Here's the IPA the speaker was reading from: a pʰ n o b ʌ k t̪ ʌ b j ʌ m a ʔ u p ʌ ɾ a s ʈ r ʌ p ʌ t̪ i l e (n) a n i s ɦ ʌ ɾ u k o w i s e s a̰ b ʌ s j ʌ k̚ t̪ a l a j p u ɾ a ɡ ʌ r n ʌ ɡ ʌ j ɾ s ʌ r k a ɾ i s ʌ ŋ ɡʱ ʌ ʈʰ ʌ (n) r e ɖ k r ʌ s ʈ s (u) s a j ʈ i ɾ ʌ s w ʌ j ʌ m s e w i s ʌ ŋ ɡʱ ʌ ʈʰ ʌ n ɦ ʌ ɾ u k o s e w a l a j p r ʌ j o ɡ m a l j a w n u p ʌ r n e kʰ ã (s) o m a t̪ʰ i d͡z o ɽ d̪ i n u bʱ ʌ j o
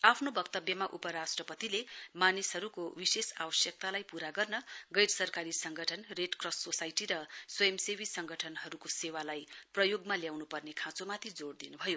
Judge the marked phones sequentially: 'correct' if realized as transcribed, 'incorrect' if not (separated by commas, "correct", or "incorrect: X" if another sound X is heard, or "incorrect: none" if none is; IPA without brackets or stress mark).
incorrect: m, correct, incorrect: o, incorrect: t͡s